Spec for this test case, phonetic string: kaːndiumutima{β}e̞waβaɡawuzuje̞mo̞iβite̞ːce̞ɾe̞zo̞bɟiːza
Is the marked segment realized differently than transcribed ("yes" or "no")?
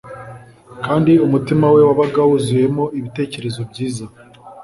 yes